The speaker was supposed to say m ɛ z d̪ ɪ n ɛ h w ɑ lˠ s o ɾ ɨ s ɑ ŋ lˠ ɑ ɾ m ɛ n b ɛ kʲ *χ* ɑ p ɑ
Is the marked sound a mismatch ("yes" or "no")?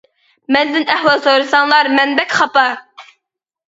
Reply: no